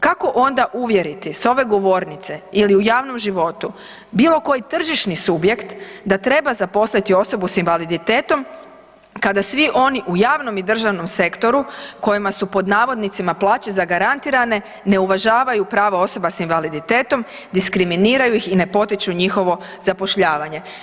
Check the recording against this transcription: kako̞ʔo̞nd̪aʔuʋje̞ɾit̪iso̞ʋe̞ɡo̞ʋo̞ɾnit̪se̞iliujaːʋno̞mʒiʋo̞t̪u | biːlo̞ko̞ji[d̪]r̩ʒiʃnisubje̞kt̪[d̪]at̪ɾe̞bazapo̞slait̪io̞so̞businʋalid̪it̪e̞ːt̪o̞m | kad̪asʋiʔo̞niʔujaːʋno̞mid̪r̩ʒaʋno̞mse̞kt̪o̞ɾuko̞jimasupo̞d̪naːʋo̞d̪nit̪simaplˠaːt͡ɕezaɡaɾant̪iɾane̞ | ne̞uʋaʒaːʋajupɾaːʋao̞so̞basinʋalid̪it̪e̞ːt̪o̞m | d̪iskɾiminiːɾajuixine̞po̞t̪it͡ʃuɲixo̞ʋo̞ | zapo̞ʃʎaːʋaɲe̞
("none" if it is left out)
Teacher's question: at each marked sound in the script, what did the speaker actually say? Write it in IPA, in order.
t̪, d̪

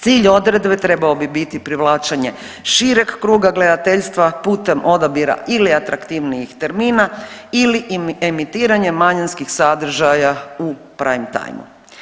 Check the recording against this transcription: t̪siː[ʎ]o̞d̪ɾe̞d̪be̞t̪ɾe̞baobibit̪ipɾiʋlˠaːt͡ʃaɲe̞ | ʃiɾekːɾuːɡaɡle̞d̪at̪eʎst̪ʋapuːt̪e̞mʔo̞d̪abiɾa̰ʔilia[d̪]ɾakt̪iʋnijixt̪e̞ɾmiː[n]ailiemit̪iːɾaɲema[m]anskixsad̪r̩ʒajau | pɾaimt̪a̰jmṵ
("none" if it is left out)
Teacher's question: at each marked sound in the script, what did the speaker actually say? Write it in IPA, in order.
ʎ, t̪, n, ɲ

